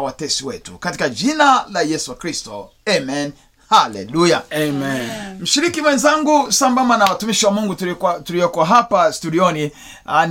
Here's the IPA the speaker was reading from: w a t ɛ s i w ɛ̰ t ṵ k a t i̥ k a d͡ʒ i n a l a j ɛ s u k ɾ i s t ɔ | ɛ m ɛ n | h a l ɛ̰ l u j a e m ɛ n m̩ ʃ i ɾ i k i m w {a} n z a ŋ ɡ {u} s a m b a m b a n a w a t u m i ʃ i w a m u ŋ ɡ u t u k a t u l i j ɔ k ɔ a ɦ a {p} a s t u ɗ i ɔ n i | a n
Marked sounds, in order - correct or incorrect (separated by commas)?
incorrect, correct, correct